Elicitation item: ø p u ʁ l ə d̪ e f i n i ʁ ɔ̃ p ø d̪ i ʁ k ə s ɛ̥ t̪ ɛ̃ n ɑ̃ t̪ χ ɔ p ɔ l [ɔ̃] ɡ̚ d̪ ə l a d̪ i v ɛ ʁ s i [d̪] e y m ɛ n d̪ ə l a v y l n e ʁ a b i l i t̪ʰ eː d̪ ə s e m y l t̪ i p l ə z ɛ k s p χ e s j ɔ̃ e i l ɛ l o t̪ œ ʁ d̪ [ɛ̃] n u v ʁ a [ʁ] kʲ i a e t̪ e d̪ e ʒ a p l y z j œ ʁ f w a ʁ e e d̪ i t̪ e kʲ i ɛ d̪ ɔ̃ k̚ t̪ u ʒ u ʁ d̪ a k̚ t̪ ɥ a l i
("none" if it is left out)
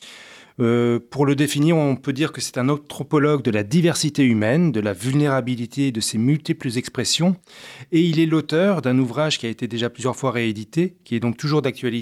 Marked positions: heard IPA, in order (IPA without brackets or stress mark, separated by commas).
ɔ, t̪, ɛ̃, ʒ